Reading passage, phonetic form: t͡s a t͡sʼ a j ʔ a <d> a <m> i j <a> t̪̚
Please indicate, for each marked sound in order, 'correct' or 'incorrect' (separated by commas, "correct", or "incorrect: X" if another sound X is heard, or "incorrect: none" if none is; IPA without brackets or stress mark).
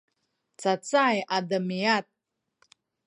correct, correct, correct